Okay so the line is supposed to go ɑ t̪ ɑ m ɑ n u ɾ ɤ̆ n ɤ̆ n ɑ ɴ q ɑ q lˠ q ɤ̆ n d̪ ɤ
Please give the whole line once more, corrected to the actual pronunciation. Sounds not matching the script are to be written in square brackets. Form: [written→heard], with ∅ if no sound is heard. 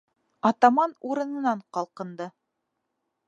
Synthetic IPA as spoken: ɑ t̪ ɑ m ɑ n u ɾ ɤ̆ n ɤ̆ n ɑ ɴ q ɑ [q→∅] lˠ q ɤ̆ n d̪ ɤ